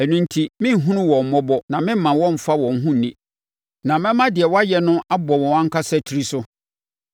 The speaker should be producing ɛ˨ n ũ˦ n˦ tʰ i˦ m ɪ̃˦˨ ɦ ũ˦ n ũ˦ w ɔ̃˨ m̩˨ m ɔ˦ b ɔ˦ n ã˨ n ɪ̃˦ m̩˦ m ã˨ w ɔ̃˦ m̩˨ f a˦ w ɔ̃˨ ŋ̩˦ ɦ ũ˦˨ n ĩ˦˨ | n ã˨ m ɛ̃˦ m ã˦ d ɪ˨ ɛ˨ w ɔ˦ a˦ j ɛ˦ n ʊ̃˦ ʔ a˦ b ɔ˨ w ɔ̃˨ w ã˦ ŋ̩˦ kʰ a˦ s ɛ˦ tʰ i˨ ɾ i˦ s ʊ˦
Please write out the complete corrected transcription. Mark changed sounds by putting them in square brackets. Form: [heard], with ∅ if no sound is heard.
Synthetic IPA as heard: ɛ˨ n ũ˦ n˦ tʰ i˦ m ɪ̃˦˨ ɦ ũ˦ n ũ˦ w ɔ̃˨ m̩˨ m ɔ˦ b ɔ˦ n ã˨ [m] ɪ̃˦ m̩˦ m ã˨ w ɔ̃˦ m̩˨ f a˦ w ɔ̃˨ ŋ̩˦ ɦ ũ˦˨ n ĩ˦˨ | n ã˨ m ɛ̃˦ m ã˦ d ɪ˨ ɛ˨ w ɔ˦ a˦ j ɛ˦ n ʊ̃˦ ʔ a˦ b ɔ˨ w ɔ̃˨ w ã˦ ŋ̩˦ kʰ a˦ s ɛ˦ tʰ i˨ ɾ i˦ s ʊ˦